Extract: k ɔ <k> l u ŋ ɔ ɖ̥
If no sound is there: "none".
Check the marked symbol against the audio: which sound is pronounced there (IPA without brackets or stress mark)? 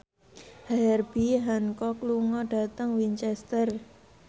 k